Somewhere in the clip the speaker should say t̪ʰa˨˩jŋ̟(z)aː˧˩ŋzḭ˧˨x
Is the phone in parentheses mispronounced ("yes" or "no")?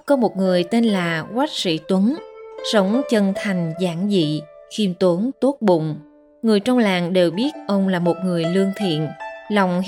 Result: no